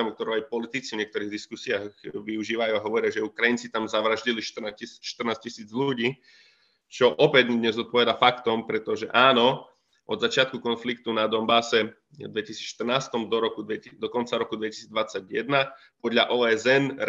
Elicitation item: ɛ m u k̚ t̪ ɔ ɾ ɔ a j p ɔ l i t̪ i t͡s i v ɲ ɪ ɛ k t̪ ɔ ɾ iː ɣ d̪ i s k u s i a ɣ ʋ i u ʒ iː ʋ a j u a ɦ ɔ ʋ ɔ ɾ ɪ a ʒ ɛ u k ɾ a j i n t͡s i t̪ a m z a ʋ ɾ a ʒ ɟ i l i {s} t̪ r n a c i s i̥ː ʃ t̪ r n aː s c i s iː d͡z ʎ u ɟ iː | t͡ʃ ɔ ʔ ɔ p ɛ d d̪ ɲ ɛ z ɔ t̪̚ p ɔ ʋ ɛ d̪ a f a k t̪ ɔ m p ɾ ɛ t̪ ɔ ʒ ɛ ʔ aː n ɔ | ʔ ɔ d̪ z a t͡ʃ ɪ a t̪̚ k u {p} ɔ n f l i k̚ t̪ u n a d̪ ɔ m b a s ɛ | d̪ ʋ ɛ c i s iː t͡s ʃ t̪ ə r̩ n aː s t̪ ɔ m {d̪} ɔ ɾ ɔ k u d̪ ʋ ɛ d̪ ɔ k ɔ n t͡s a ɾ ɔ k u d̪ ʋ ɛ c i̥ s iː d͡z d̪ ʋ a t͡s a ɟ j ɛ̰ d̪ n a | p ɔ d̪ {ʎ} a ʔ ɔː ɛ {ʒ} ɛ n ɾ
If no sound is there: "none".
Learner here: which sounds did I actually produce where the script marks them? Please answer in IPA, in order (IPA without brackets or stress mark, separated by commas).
ʃ, k, d̪, ʎ, z